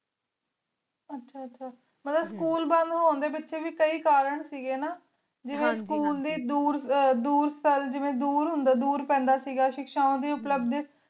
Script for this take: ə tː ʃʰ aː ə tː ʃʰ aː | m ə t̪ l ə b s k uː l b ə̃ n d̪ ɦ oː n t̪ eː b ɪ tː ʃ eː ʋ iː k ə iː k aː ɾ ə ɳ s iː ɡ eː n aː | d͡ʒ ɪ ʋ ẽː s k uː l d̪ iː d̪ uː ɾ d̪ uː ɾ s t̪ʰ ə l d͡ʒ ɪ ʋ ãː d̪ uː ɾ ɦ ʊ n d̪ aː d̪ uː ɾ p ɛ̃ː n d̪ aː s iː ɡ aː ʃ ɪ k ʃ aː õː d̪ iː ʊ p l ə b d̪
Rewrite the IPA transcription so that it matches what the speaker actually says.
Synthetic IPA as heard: ə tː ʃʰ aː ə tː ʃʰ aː | m ə t̪ l ə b s k uː l b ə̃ n d̪ ɦ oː n d̪ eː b ɪ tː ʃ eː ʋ iː k ə iː k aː ɾ ə ɳ s iː ɡ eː n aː | d͡ʒ ɪ ʋ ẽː s k uː l d̪ iː d̪ uː ɾ d̪ uː ɾ s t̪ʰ ə l d͡ʒ ɪ ʋ ẽː d̪ uː ɾ ɦ ʊ n d̪ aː d̪ uː ɾ p ɛ̃ː n d̪ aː s iː ɡ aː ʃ ɪ k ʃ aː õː d̪ iː ʊ p l ə b d̪